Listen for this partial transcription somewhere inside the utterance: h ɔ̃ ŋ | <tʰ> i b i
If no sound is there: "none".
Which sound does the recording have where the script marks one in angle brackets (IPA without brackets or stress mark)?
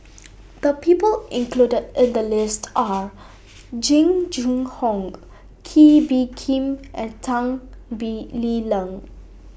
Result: kʰ